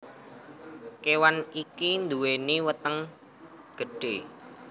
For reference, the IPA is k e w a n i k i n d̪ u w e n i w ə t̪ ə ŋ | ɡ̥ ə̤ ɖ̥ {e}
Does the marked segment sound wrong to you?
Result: no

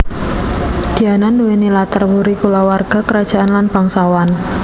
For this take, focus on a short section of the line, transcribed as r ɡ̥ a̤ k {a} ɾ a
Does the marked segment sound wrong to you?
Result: yes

